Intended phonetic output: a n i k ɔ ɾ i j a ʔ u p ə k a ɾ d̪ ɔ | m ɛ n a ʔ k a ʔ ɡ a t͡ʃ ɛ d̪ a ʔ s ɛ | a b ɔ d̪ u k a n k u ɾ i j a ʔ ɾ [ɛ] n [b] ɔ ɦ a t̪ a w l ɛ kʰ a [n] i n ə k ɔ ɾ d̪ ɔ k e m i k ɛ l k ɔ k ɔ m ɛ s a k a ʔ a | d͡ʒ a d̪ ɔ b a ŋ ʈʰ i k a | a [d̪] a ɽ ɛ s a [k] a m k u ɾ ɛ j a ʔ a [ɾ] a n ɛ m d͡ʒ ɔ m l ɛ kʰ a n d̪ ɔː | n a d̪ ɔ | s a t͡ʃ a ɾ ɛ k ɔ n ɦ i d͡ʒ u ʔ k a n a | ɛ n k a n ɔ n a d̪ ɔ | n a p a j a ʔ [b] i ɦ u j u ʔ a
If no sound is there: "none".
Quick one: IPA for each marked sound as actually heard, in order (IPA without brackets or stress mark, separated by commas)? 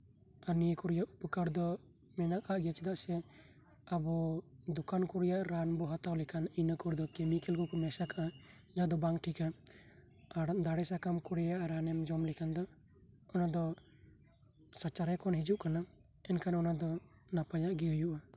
a, b, n, d̪, k, ɾ, ɡ